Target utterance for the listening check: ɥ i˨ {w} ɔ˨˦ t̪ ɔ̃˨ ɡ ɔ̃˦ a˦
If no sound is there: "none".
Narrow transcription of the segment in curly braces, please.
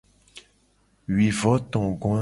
v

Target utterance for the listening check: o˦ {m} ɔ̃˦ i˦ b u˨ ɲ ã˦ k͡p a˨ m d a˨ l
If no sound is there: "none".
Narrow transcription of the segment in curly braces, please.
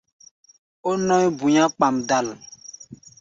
n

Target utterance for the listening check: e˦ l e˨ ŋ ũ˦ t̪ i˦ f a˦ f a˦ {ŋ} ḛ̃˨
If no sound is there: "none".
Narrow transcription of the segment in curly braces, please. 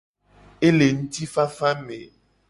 m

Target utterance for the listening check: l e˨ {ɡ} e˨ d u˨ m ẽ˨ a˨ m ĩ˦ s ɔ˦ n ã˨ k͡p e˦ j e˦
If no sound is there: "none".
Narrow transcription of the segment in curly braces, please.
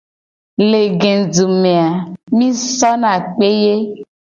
ɡ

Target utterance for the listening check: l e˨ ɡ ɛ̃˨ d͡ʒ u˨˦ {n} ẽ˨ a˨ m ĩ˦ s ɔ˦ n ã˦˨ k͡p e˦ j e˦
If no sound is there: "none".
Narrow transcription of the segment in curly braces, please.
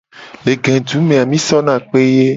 m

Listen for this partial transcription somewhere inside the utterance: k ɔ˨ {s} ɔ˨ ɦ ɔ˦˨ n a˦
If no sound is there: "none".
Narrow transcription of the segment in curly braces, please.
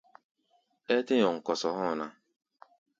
s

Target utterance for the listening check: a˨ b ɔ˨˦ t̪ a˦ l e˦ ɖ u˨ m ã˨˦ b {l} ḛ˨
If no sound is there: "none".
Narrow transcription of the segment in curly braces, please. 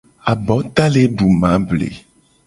l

